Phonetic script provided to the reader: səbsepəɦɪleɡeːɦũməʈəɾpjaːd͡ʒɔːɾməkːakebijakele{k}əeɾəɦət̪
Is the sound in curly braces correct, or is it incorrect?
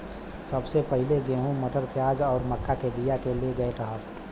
incorrect